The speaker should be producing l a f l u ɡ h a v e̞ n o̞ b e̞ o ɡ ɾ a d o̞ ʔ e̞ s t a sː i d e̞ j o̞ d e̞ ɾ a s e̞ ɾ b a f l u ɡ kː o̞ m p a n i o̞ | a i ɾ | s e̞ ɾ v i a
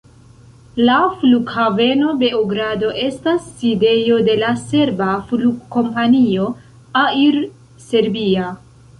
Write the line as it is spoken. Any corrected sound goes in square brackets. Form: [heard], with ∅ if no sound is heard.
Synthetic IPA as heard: l a f l u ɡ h a v e̞ n o̞ b e̞ o ɡ ɾ a d o̞ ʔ e̞ s t a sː i d e̞ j o̞ d e̞ [l] a s e̞ ɾ b a f l u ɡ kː o̞ m p a n i o̞ | a i ɾ | s e̞ ɾ [b] i a